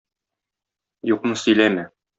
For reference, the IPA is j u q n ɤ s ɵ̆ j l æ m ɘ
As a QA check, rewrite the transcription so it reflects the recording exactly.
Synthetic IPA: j u q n ɤ s ɵ̆ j l æ m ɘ